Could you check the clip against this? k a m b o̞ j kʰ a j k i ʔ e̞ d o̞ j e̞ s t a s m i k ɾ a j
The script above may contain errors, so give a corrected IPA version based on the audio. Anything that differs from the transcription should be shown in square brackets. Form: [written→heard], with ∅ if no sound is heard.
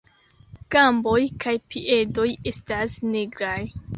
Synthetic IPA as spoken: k a m b o̞ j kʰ a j [k→p] i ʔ e̞ d o̞ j e̞ s t a s [m→n] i [k→ɡ] ɾ a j

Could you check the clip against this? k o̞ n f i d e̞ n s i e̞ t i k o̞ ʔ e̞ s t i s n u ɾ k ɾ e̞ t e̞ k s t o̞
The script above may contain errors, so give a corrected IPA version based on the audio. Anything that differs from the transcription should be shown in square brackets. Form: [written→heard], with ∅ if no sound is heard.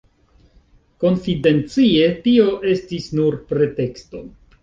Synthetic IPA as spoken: k o̞ n f i d e̞ n [s→t͡s] i e̞ t i [k→∅] o̞ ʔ e̞ s t i s n u ɾ [k→p] ɾ e̞ t e̞ k s t o̞

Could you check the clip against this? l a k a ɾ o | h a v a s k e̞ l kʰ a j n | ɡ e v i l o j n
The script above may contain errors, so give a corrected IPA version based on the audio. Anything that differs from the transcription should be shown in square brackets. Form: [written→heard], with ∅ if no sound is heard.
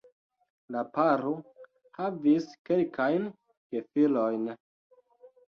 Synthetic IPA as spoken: l a [k→p] a ɾ o | h a v [a→i] s k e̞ l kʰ a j n | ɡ e [v→f] i l o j n

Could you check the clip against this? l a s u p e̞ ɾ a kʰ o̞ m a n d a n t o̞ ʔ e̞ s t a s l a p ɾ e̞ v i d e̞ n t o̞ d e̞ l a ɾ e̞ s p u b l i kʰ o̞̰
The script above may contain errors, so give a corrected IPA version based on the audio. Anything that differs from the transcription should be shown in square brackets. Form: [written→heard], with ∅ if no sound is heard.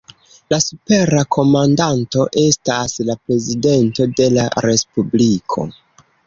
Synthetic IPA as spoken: l a s u p e̞ ɾ a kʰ o̞ m a n d a n t o̞ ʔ e̞ s t a s l a p ɾ e̞ [v→z] i d e̞ n t o̞ d e̞ l a ɾ e̞ s p u b l i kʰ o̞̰

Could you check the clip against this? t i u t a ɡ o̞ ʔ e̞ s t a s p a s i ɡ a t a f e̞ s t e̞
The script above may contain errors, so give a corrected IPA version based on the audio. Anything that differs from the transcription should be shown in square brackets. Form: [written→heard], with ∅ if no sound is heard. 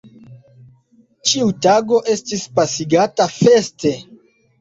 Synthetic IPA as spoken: [t→t͡ʃ] i u t a ɡ o̞ ʔ e̞ s t [a→i] s p a s i ɡ a t a f e̞ s t e̞

